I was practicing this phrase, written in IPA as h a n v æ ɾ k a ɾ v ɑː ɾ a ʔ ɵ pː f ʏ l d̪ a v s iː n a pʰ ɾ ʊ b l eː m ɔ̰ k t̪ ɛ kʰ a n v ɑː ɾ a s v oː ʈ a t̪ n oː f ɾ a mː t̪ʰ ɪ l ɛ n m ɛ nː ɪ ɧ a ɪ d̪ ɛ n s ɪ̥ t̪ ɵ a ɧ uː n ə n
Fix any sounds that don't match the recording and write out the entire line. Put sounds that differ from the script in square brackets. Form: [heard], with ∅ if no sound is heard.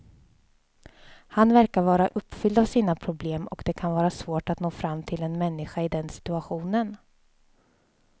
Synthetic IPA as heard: h a n v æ ɾ k a ɾ v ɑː ɾ a ʔ ɵ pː f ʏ l d̪ a v s iː n a pʰ ɾ ʊ b l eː m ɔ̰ k [d̪] ɛ kʰ a n v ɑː ɾ a s v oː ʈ a t̪ n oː f ɾ a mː t̪ʰ ɪ l ɛ n m ɛ nː ɪ ɧ a ɪ d̪ ɛ n s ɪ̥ t̪ ɵ a ɧ uː n ə n